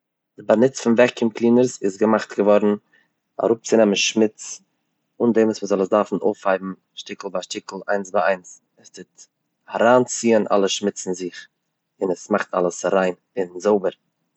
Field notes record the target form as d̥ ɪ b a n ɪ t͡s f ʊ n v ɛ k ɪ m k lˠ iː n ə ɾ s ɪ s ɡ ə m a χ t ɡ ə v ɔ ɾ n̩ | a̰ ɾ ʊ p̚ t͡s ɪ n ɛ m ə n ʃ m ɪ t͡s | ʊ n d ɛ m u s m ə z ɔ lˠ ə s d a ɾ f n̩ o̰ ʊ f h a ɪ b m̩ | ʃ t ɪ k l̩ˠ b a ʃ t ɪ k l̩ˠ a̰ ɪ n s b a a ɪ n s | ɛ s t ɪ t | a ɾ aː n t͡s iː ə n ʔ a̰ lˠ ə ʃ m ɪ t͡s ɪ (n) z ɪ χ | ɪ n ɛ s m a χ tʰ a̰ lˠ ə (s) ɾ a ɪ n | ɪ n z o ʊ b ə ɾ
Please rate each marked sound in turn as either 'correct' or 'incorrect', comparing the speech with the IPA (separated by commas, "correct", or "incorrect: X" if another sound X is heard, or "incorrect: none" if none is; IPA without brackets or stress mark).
correct, correct